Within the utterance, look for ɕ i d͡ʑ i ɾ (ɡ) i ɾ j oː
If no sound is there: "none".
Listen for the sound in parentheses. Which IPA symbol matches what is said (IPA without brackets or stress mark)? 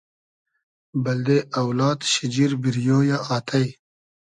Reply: b